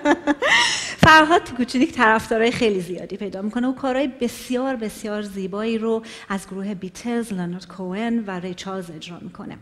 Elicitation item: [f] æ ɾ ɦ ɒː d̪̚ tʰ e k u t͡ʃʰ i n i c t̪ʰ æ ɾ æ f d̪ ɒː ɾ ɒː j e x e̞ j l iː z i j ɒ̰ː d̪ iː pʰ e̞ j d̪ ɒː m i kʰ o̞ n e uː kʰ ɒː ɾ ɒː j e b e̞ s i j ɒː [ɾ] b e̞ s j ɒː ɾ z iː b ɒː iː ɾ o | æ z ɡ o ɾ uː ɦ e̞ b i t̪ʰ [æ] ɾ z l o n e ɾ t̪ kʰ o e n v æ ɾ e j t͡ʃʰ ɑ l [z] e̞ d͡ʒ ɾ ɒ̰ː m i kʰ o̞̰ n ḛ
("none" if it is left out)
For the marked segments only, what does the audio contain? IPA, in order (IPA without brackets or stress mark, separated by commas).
f, ɾ, e, z